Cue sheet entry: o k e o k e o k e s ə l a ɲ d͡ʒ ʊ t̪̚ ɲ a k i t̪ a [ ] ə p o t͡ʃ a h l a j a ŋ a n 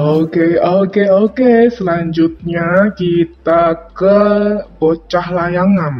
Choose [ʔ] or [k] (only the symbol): k